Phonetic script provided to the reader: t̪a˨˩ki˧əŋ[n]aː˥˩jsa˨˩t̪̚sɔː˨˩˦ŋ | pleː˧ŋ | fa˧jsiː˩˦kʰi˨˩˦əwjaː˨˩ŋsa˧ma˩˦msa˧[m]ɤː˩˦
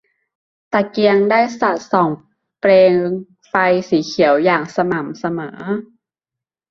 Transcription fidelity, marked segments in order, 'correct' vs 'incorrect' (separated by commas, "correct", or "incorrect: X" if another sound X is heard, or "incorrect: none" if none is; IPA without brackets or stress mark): incorrect: d, correct